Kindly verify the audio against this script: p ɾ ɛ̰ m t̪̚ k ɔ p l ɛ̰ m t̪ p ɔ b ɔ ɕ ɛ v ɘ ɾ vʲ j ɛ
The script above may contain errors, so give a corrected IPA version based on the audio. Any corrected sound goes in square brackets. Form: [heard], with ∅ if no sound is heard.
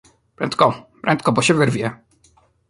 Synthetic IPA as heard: p ɾ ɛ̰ [n] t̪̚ k ɔ p [ɾ] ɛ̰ [n] t̪ [k] ɔ b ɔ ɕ ɛ v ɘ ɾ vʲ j ɛ